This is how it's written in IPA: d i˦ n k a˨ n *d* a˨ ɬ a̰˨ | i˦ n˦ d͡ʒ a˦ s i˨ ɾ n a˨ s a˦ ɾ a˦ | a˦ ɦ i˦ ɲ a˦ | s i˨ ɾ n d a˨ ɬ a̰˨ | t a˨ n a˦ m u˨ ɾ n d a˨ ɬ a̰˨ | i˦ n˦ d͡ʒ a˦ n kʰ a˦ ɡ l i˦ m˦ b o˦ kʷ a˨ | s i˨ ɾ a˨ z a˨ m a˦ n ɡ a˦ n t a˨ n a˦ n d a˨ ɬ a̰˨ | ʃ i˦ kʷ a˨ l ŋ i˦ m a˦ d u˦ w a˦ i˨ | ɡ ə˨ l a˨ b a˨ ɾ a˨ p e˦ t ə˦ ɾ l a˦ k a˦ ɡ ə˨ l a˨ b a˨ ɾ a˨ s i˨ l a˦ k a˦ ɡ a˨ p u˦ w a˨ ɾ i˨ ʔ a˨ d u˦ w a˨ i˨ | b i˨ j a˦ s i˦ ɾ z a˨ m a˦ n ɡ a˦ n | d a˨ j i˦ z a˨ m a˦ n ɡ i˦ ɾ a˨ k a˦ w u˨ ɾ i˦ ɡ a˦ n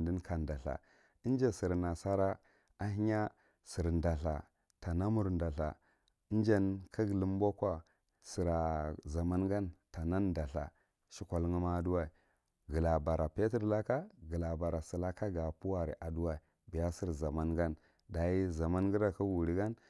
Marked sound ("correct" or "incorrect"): correct